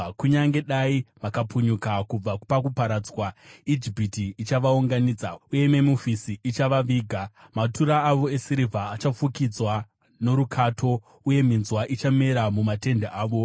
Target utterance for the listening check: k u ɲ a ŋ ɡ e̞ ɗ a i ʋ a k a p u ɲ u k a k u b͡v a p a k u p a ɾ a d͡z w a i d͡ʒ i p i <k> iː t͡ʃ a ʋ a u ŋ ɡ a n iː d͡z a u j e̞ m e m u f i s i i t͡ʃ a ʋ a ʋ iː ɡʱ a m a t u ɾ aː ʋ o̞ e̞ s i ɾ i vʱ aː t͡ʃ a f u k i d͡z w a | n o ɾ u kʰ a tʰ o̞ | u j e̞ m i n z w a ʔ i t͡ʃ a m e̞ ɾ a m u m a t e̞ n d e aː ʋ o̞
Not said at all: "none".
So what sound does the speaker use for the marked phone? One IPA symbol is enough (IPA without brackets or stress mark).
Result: t